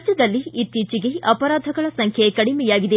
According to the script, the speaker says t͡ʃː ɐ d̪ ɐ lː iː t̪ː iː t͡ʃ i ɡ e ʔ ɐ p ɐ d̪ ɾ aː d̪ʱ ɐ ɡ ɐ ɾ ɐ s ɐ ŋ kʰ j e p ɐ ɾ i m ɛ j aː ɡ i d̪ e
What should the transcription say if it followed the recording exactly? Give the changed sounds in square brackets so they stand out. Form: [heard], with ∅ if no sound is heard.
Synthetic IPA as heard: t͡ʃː ɐ d̪ ɐ lː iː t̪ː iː t͡ʃ i ɡ e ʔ ɐ p ɐ [∅] ɾ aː d̪ʱ ɐ ɡ ɐ [ɭ] ɐ s ɐ ŋ kʰ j e [k] ɐ [ɽ] i m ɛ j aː ɡ i d̪ e